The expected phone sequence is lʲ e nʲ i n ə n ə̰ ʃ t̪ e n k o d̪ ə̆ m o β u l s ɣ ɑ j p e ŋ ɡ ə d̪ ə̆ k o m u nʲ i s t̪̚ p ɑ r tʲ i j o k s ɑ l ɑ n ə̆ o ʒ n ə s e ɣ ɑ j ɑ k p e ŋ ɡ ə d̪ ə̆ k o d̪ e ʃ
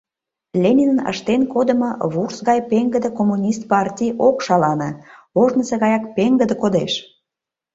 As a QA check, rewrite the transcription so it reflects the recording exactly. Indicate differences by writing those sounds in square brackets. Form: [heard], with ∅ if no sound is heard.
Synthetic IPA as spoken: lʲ e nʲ i n ə n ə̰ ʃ t̪ e n k o d̪ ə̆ m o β u [r] s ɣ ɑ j p e ŋ ɡ ə d̪ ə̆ k o m u nʲ i s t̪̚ p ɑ r tʲ i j o k [ʃ] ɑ l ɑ n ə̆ o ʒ n ə s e ɣ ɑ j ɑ k p e ŋ ɡ ə d̪ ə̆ k o d̪ e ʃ